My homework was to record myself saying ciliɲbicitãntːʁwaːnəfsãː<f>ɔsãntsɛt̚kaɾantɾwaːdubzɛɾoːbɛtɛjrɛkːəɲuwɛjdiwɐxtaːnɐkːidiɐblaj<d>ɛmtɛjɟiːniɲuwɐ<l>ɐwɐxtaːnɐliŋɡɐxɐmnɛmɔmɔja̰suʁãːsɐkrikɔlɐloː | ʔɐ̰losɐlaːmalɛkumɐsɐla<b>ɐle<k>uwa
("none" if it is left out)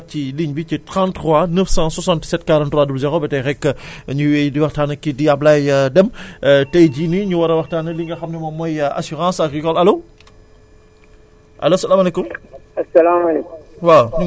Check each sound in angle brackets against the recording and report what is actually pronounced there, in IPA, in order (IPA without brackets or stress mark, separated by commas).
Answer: s, d, ɾ, m, k